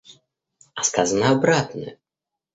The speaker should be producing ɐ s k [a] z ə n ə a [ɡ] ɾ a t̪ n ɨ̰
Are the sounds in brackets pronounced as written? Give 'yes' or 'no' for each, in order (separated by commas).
yes, no